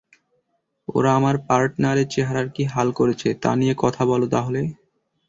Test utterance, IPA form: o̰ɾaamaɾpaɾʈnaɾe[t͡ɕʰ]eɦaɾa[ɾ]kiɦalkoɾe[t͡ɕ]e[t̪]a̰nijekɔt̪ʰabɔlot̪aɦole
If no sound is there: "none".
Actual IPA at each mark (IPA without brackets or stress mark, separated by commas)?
t͡ɕ, ɾ, t͡ɕʰ, t̪